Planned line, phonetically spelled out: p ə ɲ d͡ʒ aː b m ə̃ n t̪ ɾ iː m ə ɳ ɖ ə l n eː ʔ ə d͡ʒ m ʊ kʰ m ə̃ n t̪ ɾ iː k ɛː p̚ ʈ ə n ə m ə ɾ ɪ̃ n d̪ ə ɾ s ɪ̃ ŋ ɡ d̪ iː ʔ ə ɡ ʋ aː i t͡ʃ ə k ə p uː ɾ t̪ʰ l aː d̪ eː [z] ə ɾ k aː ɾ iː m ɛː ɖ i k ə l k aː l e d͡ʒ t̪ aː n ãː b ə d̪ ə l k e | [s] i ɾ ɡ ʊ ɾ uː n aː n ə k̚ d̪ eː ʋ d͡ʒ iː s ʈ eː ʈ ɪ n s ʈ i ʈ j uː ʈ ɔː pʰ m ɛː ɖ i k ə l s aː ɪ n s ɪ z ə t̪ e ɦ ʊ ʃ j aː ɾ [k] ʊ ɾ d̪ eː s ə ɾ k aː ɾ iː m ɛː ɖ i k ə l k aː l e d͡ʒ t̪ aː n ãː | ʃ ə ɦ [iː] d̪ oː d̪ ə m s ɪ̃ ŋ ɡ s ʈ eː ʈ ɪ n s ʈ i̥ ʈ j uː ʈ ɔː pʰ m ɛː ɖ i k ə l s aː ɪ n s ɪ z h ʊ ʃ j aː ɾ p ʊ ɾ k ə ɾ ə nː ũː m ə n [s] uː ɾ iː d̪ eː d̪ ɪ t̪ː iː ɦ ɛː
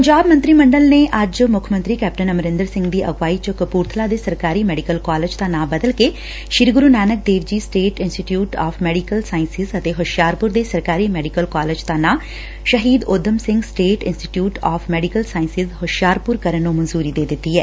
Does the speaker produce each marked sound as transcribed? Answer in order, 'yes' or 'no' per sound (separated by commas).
no, no, no, yes, no